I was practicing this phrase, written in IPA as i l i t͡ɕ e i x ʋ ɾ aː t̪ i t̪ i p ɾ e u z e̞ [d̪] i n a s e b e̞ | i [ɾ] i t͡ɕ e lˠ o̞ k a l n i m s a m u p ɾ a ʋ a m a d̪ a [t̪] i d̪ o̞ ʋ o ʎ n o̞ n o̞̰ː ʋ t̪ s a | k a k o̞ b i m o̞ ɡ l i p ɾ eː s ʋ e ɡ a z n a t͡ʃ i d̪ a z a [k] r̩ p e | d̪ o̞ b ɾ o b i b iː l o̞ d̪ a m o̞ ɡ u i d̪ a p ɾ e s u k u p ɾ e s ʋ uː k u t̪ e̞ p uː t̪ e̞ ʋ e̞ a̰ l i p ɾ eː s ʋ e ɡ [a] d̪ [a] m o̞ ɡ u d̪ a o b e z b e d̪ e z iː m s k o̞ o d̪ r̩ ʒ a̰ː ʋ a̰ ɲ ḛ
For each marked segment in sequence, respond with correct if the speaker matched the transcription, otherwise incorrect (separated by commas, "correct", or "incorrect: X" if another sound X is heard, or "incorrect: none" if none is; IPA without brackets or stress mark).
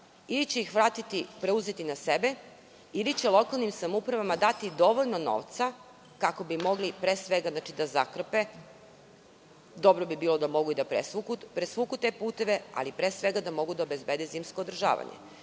incorrect: t̪, incorrect: l, correct, correct, correct, correct